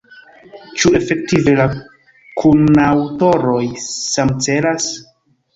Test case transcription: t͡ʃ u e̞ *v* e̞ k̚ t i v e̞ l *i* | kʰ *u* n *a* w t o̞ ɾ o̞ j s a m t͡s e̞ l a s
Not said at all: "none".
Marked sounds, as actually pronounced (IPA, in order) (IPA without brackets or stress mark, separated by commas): f, a, u, a